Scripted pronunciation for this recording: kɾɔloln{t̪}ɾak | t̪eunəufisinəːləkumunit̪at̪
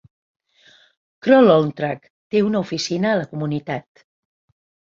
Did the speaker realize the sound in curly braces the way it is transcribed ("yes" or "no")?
yes